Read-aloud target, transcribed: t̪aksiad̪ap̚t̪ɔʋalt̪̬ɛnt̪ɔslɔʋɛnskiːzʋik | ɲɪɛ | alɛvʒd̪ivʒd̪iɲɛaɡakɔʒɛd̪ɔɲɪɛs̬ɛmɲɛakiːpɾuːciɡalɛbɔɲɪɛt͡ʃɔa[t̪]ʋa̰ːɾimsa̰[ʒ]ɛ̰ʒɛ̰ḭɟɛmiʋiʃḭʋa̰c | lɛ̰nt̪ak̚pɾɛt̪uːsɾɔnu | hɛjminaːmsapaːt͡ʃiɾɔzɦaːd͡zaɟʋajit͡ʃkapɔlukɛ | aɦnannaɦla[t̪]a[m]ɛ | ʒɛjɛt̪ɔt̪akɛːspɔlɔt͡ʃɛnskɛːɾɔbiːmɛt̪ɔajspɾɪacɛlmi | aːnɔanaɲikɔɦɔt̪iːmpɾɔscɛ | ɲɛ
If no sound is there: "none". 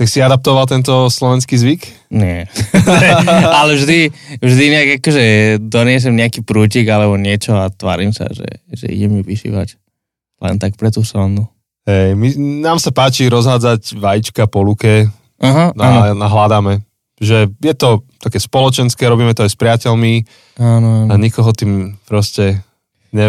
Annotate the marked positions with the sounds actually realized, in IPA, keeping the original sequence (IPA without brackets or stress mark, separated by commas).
t̪, ʒ, d̪, m